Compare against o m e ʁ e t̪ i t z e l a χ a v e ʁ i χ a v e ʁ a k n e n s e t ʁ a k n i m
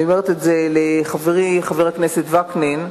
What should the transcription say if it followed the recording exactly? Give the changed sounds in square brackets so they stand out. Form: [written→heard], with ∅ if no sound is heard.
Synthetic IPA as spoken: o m e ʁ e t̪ [i→e] t z e l [a→e] χ a v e ʁ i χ a v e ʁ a k n e [n→∅] s e t [ʁ→v] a k n i [m→n]